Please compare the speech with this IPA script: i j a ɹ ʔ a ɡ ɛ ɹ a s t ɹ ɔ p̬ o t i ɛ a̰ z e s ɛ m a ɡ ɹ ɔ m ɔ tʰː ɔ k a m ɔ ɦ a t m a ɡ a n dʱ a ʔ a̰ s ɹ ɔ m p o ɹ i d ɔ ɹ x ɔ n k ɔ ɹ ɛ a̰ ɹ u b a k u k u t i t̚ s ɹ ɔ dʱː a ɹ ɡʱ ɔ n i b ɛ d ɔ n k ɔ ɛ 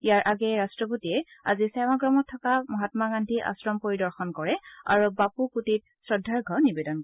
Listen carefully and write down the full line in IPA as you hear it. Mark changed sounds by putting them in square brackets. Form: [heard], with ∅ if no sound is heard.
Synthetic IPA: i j a ɹ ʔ a ɡ ɛ ɹ a s t ɹ ɔ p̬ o t i ɛ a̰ z [i] s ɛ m a ɡ ɹ ɔ m ɔ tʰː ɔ k a m ɔ ɦ a t m a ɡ a n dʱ [i] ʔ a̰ s ɹ ɔ m p o ɹ i d ɔ ɹ x ɔ n k ɔ ɹ ɛ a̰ ɹ u b a [p] u k u t i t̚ s ɹ ɔ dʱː a ɹ ɡʱ ɔ n i b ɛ d ɔ n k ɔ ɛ